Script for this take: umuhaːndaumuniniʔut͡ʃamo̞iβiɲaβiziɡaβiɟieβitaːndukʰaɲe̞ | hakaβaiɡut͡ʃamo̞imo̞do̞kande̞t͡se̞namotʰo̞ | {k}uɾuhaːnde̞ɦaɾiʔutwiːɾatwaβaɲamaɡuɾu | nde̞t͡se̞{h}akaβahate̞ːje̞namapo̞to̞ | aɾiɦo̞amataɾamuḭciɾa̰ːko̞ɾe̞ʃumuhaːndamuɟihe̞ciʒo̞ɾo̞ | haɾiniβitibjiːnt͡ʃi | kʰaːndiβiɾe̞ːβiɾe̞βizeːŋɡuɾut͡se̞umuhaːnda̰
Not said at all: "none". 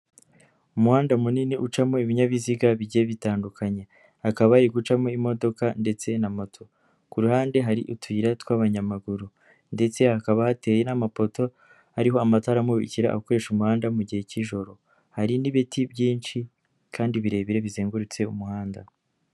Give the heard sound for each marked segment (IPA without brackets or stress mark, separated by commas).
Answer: k, h